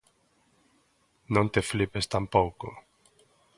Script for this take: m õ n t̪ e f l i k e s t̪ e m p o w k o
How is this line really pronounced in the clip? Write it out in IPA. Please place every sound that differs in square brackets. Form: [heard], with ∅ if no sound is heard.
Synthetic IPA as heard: [n] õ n t̪ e f l i [p] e s t̪ [a] m p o w k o